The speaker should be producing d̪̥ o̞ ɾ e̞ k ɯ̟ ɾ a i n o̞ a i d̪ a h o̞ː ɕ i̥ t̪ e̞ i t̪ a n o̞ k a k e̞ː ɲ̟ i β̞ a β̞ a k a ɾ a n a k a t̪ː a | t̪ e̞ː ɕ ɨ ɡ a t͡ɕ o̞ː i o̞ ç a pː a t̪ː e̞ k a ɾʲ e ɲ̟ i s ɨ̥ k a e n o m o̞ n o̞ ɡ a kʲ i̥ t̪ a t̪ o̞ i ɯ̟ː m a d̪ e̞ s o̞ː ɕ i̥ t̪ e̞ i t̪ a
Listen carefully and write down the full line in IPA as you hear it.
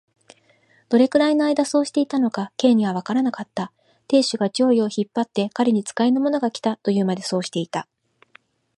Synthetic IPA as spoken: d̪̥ o̞ ɾ e̞ k ɯ̟ ɾ a i n o̞ a i d̪ a s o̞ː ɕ i̥ t̪ e̞ i t̪ a n o̞ k a k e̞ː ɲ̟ i β̞ a β̞ a k a ɾ a n a k a t̪ː a | t̪ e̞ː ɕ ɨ ɡ a t͡ɕ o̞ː i o̞ ç i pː a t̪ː e̞ k a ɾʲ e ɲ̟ i t͡s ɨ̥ k a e n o m o̞ n o̞ ɡ a kʲ i̥ t̪ a t̪ o̞ j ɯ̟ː m a d̪ e̞ s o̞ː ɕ i̥ t̪ e̞ i t̪ a

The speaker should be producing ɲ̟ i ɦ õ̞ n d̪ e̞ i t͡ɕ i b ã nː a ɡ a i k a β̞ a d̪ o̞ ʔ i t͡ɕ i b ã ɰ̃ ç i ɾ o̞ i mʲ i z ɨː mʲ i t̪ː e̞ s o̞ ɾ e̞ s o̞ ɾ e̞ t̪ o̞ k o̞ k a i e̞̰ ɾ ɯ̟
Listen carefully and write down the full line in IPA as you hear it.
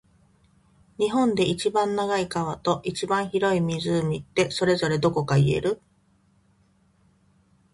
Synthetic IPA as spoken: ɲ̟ i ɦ õ̞ n d̪ e̞ i t͡ɕ i b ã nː a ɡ a i k a β̞ a t̪ o̞ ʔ i t͡ɕ i b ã ɰ̃ ç i ɾ o̞ i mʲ i z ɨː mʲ i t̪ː e̞ s o̞ ɾ e̞ z o̞ ɾ e̞ d̪ o̞ k o̞ k a i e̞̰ ɾ ɯ̟

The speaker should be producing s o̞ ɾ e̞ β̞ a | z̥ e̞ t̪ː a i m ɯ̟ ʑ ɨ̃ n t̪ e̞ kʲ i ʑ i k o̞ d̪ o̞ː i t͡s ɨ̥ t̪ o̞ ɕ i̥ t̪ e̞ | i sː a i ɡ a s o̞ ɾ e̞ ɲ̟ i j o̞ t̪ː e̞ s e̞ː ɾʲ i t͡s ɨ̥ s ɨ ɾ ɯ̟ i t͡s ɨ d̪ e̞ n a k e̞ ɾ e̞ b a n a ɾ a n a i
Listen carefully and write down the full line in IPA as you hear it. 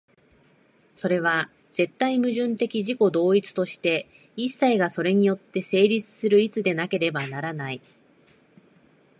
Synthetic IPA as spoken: s o̞ ɾ e̞ β̞ a | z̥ e̞ t̪ː a i m ɯ̟ ʑ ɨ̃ n t̪ e̞ kʲ i ʑ i k o̞ d̪ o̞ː i t͡s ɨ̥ t̪ o̞ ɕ i̥ t̪ e̞ | i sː a i ɡ a s o̞ ɾ e̞ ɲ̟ i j o̞ t̪ː e̞ s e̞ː ɾʲ i t͡s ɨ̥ s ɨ ɾ ɯ̟ i t͡s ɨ d̪ e̞ n a k e̞ ɾ e̞ b a n a ɾ a n a i

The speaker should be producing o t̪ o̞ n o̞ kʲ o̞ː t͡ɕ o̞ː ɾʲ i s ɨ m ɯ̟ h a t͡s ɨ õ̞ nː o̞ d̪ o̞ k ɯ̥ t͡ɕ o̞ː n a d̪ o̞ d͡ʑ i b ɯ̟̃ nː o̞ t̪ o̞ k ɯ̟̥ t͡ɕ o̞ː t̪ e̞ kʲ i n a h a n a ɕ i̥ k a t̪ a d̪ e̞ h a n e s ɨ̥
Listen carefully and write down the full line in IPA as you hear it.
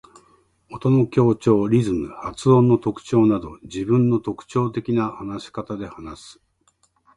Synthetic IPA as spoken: o t̪ o̞ n o̞ kʲ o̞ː t͡ɕ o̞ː ɾʲ i z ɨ m ɯ̟ h a t͡s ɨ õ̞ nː o̞ t̪ o̞ k ɯ̥ t͡ɕ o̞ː n a d̪ o̞ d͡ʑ i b ɯ̟̃ nː o̞ t̪ o̞ k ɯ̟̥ t͡ɕ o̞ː t̪ e̞ kʲ i n a h a n a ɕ i̥ k a t̪ a d̪ e̞ h a n a s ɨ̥

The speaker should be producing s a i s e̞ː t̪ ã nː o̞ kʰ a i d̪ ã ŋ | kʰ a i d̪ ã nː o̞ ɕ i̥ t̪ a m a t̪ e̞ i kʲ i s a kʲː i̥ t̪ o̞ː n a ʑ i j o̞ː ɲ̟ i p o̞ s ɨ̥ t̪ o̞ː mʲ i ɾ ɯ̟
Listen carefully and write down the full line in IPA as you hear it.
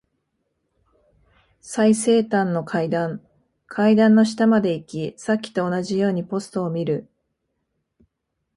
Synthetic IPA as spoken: s a i s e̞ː t̪ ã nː o̞ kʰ a i d̪ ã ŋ | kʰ a i d̪ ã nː o̞ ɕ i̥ t̪ a m a d̪ e̞ i kʲ i s a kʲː i̥ t̪ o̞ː n a ʑ i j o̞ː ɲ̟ i p o̞ s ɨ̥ t̪ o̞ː mʲ i ɾ ɯ̟

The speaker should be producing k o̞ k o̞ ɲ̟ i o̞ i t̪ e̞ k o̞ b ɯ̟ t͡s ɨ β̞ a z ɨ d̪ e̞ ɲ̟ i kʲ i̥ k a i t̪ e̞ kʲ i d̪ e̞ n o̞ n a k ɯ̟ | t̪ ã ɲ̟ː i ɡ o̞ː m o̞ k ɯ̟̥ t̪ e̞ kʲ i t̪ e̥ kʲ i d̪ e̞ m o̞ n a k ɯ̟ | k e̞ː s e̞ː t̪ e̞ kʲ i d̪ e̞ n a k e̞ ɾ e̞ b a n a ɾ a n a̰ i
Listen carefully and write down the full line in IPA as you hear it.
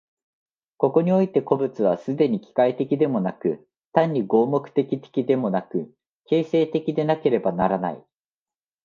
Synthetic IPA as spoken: k o̞ k o̞ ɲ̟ i o̞ i t̪ e̞ k o̞ b ɯ̟ t͡s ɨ β̞ a s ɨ d̪ e̞ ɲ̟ i kʲ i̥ k a i t̪ e̞ kʲ i d̪ e̞ m o̞ n a k ɯ̟ | t̪ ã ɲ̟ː i ɡ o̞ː m o̞ k ɯ̟̥ t̪ e̞ kʲ i t̪ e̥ kʲ i d̪ e̞ m o̞ n a k ɯ̟ | k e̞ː s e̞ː t̪ e̞ kʲ i d̪ e̞ n a k e̞ ɾ e̞ b a n a ɾ a n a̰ i

